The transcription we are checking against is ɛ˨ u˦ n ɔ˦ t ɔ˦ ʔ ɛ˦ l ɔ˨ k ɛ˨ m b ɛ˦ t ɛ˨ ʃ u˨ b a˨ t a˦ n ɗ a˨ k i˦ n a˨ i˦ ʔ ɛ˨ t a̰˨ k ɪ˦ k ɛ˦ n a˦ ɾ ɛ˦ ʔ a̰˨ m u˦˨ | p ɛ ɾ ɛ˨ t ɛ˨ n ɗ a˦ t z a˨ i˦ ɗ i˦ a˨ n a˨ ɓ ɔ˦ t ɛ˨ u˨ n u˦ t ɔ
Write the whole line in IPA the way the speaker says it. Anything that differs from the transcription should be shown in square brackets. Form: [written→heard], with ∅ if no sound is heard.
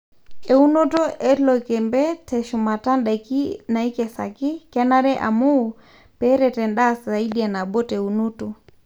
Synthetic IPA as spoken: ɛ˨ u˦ n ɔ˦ t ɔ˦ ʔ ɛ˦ l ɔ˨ k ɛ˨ m b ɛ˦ t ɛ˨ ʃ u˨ [b→m] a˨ t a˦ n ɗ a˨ k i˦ n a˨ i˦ [ʔ→k] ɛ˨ [t→s] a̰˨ k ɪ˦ k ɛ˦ n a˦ ɾ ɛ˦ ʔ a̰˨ m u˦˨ | p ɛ ɾ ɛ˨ t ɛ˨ n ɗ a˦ [t→s] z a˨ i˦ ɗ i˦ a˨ n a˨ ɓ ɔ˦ t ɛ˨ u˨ n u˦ t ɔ